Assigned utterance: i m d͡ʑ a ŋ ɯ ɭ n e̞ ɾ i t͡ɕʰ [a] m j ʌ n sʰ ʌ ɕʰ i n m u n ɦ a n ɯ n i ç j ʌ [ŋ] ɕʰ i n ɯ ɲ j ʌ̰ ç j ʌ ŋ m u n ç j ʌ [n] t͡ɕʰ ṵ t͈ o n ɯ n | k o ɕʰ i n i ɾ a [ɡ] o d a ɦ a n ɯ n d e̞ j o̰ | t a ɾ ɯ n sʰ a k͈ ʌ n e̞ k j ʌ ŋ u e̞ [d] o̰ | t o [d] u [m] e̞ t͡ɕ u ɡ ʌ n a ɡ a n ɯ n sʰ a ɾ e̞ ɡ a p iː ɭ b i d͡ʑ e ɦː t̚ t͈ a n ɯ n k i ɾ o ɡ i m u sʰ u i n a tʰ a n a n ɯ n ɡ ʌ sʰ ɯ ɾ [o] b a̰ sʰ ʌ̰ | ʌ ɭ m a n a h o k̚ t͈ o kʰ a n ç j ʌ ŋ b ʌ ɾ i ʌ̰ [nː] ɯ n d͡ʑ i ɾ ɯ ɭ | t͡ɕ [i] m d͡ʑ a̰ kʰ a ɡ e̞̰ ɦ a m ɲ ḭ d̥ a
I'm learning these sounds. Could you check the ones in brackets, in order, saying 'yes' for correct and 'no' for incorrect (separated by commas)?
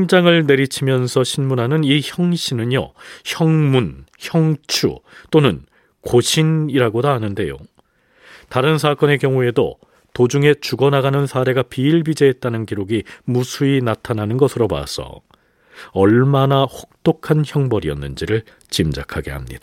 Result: no, yes, no, yes, yes, no, no, yes, yes, yes